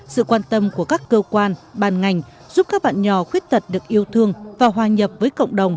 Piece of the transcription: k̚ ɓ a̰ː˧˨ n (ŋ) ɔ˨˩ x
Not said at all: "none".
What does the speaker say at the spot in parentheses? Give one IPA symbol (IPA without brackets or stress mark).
ɲ